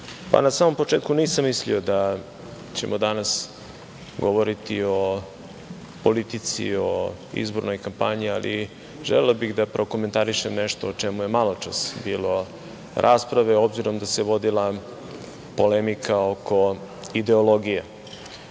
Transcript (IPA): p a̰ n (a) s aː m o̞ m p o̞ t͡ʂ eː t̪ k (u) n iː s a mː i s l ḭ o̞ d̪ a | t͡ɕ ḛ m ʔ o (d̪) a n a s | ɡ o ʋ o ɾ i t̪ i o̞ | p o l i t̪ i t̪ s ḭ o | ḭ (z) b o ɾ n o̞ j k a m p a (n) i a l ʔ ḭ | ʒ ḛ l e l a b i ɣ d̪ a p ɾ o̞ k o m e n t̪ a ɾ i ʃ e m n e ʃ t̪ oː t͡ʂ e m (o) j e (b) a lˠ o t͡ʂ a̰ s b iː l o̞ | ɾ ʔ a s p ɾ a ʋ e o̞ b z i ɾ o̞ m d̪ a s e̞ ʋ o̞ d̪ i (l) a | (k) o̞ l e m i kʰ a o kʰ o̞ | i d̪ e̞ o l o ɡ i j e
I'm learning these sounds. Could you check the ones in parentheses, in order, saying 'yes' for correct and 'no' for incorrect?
yes, yes, yes, yes, no, no, no, yes, no

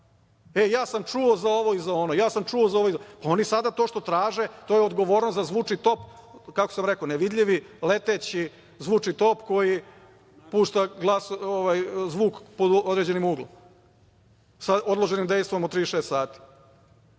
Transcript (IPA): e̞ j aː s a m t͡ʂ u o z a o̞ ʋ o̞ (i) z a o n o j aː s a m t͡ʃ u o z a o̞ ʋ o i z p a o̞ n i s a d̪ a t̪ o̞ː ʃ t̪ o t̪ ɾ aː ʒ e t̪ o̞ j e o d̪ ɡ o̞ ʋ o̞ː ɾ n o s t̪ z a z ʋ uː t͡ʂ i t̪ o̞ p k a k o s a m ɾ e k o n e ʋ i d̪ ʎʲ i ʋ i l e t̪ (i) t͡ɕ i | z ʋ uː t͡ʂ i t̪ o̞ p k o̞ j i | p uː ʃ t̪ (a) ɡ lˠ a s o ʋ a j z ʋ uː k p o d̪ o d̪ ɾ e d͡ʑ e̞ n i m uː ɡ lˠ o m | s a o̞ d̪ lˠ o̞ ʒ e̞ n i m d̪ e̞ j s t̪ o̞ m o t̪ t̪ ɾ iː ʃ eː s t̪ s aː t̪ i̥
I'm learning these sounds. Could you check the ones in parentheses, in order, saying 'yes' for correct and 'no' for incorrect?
yes, no, yes

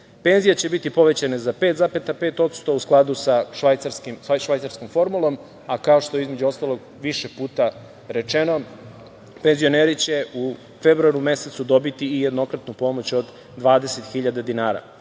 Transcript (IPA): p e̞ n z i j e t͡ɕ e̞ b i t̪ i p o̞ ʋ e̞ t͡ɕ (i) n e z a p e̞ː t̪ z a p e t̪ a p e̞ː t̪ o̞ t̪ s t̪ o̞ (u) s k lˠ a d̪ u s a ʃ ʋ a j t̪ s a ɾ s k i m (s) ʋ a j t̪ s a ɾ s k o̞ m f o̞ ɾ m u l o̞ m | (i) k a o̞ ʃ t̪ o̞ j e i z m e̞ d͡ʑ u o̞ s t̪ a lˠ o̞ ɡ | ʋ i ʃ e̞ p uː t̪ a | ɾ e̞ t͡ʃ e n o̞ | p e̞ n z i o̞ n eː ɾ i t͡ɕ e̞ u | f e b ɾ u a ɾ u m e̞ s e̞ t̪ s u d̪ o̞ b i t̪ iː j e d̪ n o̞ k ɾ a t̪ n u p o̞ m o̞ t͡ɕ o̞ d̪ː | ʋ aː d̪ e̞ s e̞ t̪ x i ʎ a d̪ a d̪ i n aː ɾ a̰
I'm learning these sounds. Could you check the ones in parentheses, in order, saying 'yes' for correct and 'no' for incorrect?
no, yes, no, no

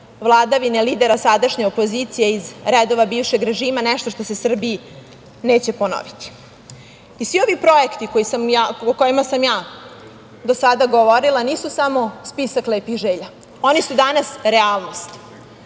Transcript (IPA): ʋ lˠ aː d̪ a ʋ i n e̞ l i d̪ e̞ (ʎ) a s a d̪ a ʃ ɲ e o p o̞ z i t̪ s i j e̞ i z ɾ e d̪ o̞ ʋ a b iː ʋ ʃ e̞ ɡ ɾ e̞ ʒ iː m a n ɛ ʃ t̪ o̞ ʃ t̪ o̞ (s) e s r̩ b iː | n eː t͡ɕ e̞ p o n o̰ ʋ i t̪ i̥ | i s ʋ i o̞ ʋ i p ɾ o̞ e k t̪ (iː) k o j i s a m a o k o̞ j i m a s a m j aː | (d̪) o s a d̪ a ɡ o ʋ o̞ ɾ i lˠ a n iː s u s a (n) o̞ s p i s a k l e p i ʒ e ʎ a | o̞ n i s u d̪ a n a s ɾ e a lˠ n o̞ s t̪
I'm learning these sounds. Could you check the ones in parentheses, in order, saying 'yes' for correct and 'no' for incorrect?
no, yes, no, yes, no

